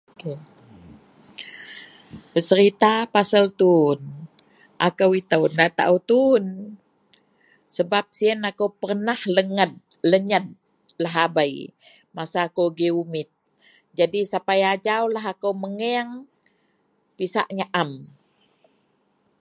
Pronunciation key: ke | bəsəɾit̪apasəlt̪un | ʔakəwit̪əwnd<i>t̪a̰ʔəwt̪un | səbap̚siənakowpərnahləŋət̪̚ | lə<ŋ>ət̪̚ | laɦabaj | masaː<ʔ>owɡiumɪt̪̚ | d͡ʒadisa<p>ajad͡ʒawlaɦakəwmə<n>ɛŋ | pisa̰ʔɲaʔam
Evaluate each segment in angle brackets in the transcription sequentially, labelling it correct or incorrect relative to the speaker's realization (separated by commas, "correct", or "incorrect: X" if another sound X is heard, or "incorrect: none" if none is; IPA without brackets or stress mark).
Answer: incorrect: a, incorrect: ɲ, incorrect: k, correct, incorrect: ŋ